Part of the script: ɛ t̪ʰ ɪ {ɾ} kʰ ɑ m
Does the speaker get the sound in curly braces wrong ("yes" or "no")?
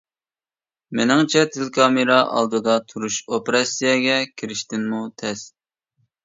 yes